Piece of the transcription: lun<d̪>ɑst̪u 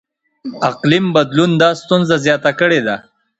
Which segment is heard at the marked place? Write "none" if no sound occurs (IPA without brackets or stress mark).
d̪